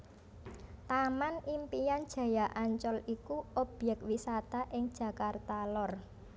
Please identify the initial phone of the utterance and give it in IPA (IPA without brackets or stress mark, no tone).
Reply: t̪